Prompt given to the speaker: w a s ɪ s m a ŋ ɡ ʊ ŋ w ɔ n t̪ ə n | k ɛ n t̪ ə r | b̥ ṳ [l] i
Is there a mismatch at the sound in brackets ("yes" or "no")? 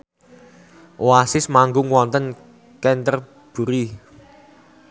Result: yes